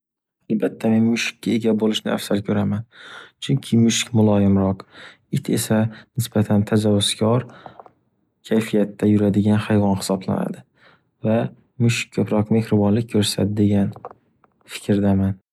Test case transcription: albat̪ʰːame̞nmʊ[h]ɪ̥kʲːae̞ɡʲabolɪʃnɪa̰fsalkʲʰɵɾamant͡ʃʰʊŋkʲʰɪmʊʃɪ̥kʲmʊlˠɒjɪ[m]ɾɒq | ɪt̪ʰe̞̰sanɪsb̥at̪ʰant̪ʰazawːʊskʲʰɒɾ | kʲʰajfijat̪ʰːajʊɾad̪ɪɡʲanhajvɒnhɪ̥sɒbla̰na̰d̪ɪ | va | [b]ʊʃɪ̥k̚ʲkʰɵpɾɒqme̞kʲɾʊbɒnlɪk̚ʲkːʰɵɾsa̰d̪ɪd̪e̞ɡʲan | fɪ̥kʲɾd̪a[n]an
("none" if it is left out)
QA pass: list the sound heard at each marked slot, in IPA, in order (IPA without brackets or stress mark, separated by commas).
ʃ, m, m, m